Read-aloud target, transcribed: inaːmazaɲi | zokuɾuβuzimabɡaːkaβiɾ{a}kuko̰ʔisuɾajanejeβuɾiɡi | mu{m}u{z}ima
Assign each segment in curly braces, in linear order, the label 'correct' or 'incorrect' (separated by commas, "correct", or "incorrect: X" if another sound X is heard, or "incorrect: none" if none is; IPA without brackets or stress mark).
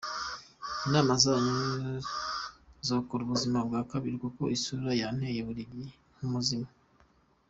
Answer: incorrect: i, correct, correct